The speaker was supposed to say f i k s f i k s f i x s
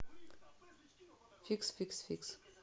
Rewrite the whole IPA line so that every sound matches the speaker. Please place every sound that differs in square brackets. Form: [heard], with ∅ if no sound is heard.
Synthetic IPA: f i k s f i k s f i [k] s